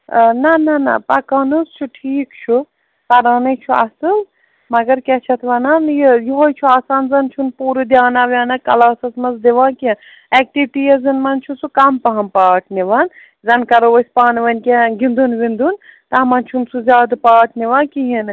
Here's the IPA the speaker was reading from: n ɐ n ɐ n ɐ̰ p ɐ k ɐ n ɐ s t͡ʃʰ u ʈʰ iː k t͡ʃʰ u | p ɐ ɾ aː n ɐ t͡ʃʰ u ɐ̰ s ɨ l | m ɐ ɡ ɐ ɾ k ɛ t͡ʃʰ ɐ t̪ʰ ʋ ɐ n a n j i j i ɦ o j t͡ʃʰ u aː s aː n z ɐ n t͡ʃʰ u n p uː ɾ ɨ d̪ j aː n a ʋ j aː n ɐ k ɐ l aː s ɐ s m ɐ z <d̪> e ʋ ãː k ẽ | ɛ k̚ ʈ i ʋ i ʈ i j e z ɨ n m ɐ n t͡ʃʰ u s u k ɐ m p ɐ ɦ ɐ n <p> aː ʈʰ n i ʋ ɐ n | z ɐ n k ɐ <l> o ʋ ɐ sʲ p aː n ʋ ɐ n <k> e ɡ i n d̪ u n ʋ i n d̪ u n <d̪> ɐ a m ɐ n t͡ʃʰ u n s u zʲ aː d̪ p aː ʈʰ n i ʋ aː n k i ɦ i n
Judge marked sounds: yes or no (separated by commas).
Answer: yes, yes, no, yes, no